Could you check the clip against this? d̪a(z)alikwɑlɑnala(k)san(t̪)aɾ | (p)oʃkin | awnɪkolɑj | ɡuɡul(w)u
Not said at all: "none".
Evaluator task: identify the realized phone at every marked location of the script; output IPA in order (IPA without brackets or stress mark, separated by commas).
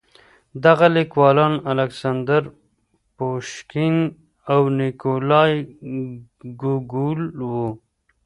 ɣ, k, d̪, p, w